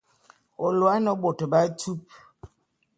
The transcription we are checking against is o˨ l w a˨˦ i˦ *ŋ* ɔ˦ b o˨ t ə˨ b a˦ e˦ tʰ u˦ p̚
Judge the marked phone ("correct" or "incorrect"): incorrect